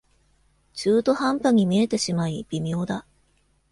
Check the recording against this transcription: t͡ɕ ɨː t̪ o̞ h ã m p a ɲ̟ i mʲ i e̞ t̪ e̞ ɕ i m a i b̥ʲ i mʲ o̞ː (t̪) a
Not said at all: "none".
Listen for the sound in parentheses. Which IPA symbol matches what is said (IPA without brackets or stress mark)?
d̪